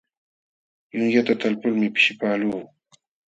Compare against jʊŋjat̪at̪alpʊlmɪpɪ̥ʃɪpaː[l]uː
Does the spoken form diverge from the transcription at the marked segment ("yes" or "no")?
no